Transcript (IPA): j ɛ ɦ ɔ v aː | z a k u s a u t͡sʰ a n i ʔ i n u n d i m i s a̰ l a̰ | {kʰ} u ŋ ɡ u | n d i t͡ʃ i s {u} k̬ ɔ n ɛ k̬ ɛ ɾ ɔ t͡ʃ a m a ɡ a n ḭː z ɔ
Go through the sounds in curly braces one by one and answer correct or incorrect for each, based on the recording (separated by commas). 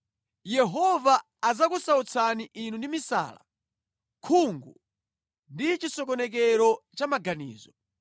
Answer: correct, incorrect